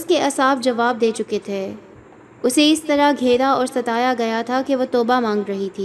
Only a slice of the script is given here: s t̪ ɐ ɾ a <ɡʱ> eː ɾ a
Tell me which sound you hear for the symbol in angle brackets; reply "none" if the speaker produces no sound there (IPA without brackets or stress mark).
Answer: ɡʱ